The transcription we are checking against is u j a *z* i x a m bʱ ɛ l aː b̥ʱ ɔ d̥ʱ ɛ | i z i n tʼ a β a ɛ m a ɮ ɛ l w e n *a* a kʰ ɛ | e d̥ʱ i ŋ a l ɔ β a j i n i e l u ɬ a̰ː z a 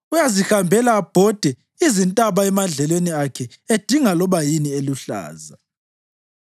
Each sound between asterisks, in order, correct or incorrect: correct, incorrect: i

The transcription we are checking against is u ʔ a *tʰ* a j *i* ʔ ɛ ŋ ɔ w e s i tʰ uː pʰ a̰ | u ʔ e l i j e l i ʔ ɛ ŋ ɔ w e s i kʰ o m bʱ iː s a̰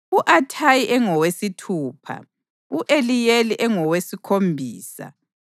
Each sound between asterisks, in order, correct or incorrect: correct, correct

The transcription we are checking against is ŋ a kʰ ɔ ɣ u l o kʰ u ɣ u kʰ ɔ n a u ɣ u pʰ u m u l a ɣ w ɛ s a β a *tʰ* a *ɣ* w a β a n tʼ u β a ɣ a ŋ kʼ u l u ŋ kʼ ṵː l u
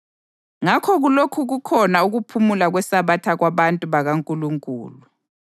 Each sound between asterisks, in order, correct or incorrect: correct, correct

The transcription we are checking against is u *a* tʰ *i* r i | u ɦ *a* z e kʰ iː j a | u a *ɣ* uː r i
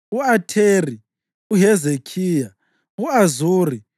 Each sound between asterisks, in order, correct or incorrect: correct, incorrect: e, incorrect: ɛ, incorrect: z

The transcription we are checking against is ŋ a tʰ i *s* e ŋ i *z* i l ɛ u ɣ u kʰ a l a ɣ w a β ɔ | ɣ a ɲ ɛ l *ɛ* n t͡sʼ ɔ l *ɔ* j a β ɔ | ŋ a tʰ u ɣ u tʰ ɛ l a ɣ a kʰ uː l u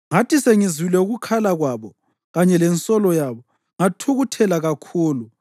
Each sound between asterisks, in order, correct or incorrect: correct, correct, correct, correct

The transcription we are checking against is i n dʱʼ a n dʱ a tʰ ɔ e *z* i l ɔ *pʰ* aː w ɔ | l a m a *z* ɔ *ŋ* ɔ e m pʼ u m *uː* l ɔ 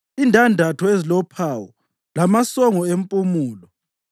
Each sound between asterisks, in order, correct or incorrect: correct, correct, incorrect: s, correct, correct

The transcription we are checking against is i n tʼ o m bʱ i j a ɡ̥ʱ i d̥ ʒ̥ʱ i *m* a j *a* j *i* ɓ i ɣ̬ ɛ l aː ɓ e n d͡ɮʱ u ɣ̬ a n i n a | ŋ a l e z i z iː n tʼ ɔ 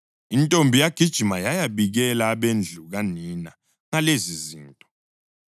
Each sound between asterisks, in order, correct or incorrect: correct, correct, incorrect: a

